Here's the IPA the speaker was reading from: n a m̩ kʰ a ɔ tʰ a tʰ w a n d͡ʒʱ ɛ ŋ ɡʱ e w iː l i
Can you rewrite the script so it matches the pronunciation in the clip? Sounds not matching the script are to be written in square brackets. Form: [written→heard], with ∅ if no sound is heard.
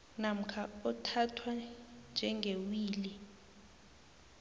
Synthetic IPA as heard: n a m̩ kʰ a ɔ tʰ a tʰ w a n d͡ʒʱ ɛ ŋ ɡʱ e w iː l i